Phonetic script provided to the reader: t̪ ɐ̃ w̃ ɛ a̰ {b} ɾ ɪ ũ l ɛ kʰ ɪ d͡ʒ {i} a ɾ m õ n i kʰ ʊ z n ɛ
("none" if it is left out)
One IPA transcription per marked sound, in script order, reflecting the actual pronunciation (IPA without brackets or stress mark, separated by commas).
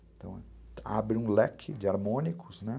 b, ɪ